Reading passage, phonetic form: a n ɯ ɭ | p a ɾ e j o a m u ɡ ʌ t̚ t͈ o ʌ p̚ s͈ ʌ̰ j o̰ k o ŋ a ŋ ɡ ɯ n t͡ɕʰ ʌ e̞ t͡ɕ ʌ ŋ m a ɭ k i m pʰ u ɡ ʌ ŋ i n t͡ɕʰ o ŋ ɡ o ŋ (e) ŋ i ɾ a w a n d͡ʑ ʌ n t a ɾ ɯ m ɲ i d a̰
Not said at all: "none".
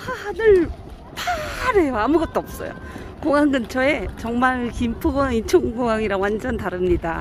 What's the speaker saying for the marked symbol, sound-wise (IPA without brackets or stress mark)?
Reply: a